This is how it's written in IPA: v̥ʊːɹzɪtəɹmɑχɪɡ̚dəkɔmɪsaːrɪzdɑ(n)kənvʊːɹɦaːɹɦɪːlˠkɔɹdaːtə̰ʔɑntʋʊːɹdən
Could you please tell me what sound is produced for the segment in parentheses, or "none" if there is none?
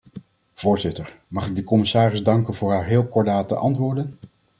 ŋ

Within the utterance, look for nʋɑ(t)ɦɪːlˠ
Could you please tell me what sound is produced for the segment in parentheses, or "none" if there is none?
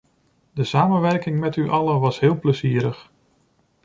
s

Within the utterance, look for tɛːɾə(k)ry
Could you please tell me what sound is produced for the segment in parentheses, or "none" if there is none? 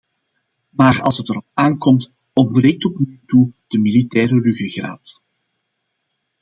none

